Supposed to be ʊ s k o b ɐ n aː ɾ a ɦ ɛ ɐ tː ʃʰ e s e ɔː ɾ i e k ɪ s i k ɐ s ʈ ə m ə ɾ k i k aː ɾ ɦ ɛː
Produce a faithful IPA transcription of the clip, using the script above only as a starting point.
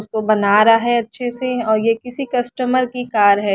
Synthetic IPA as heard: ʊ s k o b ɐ n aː ɾ a ɦ ɛ ɐ tː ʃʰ e s e ɔː ɾ j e k ɪ s i k ɐ s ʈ ə m ə ɾ k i k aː ɾ ɦ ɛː